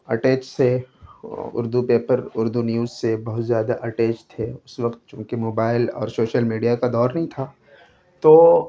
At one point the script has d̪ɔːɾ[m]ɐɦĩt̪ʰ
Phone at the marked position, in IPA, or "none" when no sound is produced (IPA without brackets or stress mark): n